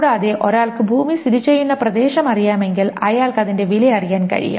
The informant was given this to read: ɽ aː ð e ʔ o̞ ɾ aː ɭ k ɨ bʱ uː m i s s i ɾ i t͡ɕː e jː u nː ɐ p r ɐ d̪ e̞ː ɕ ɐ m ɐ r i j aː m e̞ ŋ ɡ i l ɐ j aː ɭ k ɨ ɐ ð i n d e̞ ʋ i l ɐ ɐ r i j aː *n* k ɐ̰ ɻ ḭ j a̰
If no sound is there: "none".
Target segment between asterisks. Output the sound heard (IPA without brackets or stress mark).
n